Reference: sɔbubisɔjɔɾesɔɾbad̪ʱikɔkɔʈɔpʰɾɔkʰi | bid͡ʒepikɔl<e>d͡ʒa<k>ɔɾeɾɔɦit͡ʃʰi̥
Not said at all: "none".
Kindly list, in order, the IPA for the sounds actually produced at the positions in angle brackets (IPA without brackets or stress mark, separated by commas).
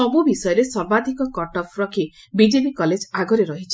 e, ɡ